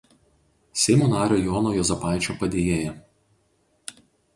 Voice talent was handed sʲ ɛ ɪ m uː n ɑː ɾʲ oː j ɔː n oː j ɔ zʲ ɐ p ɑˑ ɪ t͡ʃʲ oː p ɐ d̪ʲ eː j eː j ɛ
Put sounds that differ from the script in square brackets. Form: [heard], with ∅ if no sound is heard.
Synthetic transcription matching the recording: sʲ ɛ ɪ m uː n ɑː ɾʲ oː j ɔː n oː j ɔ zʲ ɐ p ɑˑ ɪ t͡ʃʲ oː p ɐ d̪ʲ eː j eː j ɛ